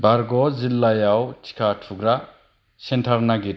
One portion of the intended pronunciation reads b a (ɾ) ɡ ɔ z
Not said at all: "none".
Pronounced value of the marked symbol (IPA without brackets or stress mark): ɾ